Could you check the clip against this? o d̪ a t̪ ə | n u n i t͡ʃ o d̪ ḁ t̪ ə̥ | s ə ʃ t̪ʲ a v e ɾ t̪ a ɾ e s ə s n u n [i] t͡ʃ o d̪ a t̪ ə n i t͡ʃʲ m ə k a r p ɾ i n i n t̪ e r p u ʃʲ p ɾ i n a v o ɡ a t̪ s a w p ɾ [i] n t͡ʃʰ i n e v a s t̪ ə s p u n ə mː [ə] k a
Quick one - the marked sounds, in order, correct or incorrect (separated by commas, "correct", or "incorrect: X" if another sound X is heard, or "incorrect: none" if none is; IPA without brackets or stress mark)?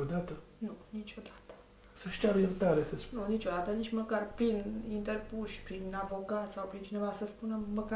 correct, correct, correct